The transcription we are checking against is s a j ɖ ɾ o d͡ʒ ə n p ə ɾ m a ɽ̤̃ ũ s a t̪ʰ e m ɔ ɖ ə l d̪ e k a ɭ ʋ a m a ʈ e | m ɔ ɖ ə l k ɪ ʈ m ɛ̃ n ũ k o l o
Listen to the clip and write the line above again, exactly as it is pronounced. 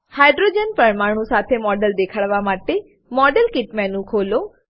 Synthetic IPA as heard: h a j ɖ ɾ o d͡ʒ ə n p ə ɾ m a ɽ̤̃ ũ s a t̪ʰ e m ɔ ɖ ə l d̪ e kʰ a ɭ ʋ a m a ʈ e | m ɔ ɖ ə l k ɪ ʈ m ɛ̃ n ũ kʰ o l o